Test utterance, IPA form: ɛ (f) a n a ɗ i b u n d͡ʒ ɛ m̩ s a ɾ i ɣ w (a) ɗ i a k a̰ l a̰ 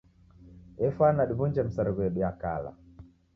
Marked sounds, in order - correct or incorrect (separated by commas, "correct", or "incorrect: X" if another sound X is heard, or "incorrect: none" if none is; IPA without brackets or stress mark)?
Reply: correct, incorrect: ɛ